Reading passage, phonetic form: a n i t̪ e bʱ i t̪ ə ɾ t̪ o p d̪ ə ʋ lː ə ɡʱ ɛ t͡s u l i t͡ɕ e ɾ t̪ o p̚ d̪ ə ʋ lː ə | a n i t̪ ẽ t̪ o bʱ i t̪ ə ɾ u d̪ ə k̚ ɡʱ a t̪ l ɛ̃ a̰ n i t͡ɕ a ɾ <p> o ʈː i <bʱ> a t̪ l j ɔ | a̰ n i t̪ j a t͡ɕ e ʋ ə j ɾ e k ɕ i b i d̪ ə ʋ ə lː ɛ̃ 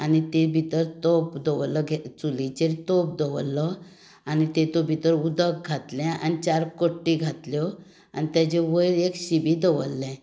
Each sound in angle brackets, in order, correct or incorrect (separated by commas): incorrect, incorrect